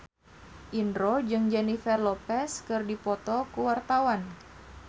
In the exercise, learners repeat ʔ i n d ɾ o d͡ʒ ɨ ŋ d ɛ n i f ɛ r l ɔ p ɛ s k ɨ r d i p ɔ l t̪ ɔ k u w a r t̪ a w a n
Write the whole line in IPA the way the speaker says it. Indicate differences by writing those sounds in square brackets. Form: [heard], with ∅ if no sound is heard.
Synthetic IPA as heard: ʔ i n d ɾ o d͡ʒ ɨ ŋ [d͡ʒ] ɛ n i f ɛ r l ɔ p ɛ s k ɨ r d i p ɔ [∅] t̪ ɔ k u w a r t̪ a w a n